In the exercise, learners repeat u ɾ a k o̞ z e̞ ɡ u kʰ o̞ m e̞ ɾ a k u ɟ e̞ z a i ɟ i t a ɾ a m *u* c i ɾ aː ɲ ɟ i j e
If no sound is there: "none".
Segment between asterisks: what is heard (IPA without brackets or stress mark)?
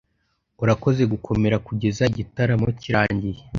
o